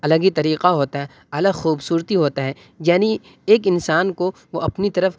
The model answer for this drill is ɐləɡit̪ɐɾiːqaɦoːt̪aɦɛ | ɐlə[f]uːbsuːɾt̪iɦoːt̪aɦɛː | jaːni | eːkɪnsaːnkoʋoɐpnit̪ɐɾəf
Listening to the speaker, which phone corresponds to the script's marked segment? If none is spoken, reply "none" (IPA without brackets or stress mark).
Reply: x